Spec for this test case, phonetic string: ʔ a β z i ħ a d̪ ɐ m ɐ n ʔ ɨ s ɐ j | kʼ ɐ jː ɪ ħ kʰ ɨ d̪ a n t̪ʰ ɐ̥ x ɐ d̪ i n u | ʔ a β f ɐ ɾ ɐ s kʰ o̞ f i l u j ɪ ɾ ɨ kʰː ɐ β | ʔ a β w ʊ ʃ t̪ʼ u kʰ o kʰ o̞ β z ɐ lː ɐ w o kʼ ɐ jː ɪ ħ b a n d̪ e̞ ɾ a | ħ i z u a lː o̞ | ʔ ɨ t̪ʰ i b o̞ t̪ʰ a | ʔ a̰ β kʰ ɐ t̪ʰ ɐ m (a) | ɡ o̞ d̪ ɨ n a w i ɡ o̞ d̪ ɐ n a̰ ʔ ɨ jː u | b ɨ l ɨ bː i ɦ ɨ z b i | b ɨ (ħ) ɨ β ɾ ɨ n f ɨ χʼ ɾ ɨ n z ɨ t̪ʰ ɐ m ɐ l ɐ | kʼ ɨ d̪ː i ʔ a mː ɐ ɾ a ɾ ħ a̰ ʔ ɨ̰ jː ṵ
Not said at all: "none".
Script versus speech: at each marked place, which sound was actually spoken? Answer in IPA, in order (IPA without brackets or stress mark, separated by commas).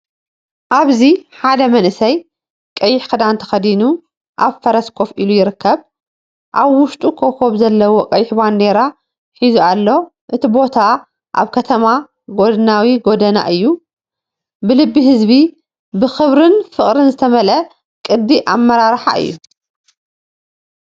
a, x